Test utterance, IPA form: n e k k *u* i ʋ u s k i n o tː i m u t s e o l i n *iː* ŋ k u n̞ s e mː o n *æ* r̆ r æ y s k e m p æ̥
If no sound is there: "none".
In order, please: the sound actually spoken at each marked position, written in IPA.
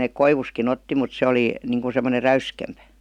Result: o, i, e

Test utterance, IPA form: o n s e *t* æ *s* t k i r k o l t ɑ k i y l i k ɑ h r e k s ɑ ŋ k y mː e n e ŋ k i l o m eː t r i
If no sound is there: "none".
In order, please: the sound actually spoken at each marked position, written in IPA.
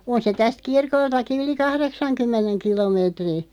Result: t, s

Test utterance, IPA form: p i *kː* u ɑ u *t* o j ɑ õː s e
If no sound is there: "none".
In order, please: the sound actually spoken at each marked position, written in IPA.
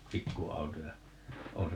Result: kː, t

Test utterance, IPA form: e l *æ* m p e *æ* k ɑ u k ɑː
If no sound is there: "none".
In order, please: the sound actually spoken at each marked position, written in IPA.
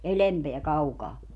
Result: e, æ

